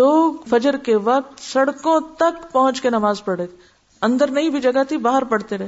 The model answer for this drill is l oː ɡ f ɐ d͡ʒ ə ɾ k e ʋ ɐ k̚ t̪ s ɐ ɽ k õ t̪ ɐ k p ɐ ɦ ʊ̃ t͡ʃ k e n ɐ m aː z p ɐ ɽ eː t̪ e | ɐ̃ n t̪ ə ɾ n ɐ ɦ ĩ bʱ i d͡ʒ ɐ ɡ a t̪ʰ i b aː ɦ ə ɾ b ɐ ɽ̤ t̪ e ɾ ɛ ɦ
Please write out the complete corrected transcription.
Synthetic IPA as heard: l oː ɡ f ɐ d͡ʒ ə ɾ k e ʋ ɐ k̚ t̪ s ɐ ɽ k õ t̪ ɐ k p ɐ ɦ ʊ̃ t͡ʃ k e n ɐ m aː z p ɐ ɽ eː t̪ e | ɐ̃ n d̪ ə ɾ n ɐ ɦ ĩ bʱ i d͡ʒ ɐ ɡ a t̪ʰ i b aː ɦ ə ɾ p ɐ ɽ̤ t̪ e ɾ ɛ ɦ